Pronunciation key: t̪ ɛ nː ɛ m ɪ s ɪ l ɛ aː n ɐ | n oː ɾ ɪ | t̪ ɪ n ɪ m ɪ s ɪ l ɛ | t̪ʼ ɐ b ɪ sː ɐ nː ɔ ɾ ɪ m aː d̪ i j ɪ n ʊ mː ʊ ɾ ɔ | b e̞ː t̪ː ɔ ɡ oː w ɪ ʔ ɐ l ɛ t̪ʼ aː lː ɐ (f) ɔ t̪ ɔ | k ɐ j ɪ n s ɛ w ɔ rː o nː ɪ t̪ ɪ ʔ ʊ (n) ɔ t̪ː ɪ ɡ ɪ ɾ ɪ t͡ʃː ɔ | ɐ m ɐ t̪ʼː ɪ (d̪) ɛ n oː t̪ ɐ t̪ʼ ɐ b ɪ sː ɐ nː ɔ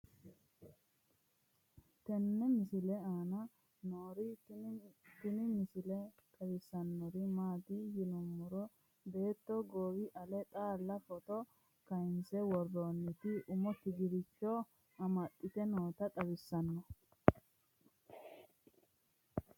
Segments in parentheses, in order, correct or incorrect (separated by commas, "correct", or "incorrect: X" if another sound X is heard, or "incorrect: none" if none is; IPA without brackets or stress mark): correct, incorrect: m, incorrect: t̪